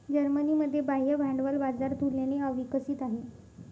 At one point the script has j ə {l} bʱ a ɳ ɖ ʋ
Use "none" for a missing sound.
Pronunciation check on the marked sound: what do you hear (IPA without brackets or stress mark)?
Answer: none